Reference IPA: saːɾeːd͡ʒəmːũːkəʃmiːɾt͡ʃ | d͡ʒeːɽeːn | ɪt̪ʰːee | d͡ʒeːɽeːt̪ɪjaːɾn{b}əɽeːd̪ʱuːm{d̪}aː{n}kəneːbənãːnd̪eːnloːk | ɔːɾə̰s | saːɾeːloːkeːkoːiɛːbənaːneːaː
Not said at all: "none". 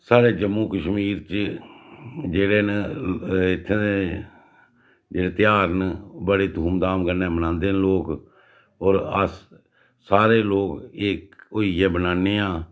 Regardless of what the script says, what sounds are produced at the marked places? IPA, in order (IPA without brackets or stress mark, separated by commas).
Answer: b, d̪, m